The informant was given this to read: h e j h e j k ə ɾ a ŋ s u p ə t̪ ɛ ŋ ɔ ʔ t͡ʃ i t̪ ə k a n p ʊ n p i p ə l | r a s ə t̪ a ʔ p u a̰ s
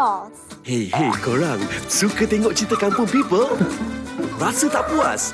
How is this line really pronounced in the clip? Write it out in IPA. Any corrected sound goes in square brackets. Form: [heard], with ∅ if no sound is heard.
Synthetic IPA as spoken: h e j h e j k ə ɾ a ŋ s u [k] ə t̪ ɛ ŋ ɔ ʔ t͡ʃ i t̪ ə k a n p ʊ n p i p ə l | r a s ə t̪ a ʔ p u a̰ s